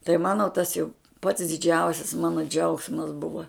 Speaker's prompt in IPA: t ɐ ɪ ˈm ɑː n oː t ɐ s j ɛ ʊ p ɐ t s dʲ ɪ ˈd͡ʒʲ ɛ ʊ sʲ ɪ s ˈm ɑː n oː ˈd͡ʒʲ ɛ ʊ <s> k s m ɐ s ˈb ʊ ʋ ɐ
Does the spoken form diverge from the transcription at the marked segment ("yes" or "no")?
yes